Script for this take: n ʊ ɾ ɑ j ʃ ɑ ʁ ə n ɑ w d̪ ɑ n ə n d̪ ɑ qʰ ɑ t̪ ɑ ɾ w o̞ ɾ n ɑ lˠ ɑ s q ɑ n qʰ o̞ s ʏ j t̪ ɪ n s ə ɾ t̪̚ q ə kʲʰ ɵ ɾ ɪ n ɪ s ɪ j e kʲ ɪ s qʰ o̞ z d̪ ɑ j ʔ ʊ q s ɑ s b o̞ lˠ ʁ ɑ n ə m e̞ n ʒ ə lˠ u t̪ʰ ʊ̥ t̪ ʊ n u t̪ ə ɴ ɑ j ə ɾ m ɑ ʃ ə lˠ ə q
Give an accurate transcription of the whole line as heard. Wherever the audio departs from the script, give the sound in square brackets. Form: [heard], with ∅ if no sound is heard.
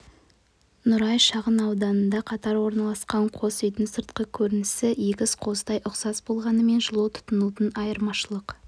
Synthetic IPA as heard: n ʊ ɾ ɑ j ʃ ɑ ʁ ə n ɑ w d̪ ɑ n ə n d̪ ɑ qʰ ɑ t̪ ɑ ɾ w o̞ ɾ n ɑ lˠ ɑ s q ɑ [ɴ] qʰ o̞ s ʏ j t̪ ɪ n s ə ɾ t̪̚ q ə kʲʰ ɵ ɾ ɪ n ɪ s ɪ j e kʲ ɪ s qʰ o̞ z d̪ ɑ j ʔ ʊ q s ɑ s b o̞ lˠ ʁ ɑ n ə m e̞ n ʒ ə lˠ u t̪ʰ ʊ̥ t̪ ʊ n u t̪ ə [n] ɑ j ə ɾ m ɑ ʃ ə lˠ ə q